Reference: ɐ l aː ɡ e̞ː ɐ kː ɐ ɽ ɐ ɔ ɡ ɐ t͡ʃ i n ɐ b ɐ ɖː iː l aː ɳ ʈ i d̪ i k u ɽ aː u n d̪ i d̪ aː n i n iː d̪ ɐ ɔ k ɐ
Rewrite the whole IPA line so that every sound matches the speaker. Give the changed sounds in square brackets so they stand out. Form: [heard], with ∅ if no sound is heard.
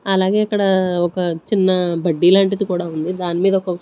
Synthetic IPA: ɐ l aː ɡ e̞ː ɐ kː ɐ ɽ ɐ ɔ [k] ɐ t͡ʃ i [nː] ɐ b ɐ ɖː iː l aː ɳ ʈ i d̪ i k [uː] ɽ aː u n d̪ i d̪ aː n i [m] iː d̪ ɐ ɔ k ɐ